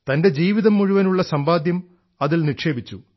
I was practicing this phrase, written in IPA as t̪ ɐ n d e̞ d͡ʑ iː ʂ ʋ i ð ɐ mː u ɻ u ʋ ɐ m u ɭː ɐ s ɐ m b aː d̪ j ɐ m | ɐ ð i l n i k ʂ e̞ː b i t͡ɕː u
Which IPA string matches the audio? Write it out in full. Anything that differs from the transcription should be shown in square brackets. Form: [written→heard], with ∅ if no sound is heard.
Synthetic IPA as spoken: t̪ ɐ n d e̞ d͡ʑ iː [ʂ→∅] ʋ i ð ɐ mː u ɻ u ʋ ɐ [m→n] u ɭː ɐ s ɐ m b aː d̪ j ɐ m | ɐ ð i l n i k ʂ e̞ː b i t͡ɕː u

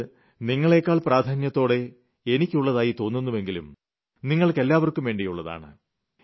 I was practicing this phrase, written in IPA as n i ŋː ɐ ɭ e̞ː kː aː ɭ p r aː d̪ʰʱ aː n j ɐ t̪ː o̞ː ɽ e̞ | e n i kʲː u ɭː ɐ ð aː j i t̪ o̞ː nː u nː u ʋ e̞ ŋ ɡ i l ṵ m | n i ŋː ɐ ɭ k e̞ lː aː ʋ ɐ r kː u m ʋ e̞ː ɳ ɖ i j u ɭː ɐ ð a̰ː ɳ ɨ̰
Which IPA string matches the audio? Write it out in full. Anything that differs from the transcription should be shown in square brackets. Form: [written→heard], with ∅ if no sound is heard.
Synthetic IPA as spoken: n i ŋː ɐ ɭ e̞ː kː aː ɭ p r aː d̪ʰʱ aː n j ɐ t̪ː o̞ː ɽ e̞ | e n i kʲː u ɭː ɐ ð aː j i t̪ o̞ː nː u nː u ʋ e̞ ŋ ɡ i l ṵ m | n i ŋː ɐ ɭ k e̞ lː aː ʋ ɐ r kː u m ʋ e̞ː ɳ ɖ i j u ɭː ɐ ð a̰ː ɳ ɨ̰

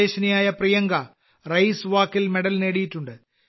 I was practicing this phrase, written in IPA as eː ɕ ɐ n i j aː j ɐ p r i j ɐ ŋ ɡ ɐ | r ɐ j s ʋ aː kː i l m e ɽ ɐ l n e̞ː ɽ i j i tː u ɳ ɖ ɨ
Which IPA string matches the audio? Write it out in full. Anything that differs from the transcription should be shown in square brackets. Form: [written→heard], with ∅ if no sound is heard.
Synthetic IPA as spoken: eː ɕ ɐ n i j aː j ɐ p r i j ɐ ŋ ɡ ɐ | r ɐ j s ʋ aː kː i l m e ɽ ɐ l n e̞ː ɽ i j i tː u ɳ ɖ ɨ

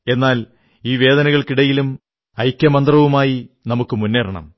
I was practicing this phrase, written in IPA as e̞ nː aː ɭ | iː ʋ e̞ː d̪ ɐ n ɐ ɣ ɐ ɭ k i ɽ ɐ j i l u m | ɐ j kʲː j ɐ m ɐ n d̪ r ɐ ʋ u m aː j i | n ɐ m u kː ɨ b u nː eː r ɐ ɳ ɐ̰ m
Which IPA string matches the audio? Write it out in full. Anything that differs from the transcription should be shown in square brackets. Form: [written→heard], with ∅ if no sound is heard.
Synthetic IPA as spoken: e̞ nː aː [ɭ→l] | iː ʋ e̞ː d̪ ɐ n ɐ ɣ ɐ ɭ k i ɽ ɐ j i l u m | ɐ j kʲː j ɐ m ɐ n d̪ r ɐ ʋ u m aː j i | n ɐ m u kː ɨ [b→m] u nː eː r ɐ ɳ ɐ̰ m

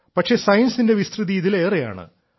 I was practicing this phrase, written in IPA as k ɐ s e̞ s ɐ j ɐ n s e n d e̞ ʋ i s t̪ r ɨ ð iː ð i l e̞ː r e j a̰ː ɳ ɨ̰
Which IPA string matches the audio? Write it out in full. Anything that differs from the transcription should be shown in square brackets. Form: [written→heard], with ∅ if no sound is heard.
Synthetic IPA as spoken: [k→p] ɐ [s→ʂ] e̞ s ɐ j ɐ n s [e→i] n d e̞ ʋ i s t̪ r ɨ ð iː ð i l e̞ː r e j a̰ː ɳ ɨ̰

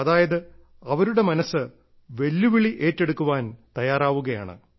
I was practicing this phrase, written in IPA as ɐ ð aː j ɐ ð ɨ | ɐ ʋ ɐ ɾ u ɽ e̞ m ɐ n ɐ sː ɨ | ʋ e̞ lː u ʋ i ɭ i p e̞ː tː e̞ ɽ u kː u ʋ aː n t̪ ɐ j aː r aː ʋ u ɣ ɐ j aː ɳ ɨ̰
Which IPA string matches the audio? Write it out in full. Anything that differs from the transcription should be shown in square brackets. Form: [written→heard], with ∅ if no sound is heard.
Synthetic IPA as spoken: ɐ ð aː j ɐ ð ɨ | ɐ ʋ ɐ ɾ u ɽ e̞ m ɐ n ɐ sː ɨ | ʋ e̞ lː u ʋ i ɭ i [p→ʔ] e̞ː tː e̞ ɽ u kː u ʋ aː n t̪ ɐ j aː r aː ʋ u ɣ ɐ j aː ɳ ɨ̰

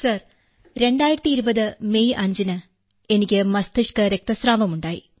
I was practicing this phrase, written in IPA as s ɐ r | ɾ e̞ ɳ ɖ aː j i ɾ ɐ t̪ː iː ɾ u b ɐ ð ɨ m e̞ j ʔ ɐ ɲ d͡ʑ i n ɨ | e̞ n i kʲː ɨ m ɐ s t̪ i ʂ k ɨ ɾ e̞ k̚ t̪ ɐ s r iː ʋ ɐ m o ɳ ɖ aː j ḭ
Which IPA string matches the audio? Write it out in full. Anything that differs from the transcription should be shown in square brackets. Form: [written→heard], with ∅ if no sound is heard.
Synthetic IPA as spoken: s ɐ r | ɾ e̞ ɳ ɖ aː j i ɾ ɐ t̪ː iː ɾ u b ɐ ð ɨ m e̞ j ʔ ɐ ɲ d͡ʑ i n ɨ | e̞ n i kʲː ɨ m ɐ s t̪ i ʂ k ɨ ɾ e̞ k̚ t̪ ɐ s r [iː→aː] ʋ ɐ m [o→u] ɳ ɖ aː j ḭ

